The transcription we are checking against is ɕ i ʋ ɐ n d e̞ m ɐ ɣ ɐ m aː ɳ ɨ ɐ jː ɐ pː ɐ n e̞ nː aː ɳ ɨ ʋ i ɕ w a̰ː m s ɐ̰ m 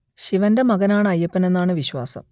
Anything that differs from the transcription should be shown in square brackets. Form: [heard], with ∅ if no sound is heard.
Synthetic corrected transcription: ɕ i ʋ ɐ n d e̞ m ɐ ɣ ɐ [n] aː ɳ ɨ ɐ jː ɐ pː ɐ n e̞ nː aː ɳ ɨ ʋ i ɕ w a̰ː [∅] s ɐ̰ m